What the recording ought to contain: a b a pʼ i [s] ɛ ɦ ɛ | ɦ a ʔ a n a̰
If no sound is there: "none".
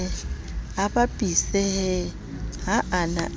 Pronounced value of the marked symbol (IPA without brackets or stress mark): s